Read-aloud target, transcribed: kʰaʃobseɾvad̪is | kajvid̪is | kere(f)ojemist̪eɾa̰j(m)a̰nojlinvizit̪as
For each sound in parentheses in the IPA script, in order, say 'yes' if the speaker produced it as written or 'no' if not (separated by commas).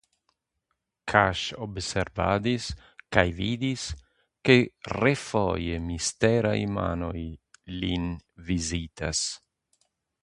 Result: yes, yes